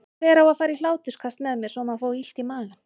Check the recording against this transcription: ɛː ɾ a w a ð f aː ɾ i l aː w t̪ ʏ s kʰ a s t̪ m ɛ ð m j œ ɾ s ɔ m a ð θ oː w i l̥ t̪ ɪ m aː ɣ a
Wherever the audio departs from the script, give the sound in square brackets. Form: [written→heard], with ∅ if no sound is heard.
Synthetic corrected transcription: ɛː ɾ a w a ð f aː ɾ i l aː w t̪ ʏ s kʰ a s t̪ m ɛ ð m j [œ→ɛ] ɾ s ɔ m a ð [θ→f] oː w i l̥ t̪ [ɪ→i] m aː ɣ a